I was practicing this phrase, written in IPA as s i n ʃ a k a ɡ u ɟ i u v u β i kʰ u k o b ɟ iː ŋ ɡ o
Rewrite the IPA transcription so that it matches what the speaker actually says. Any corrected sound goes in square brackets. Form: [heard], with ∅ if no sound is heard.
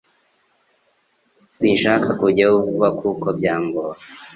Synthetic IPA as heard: s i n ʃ a k a [k] u ɟ [a] u v u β [a] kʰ u k o b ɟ [aː] ŋ ɡ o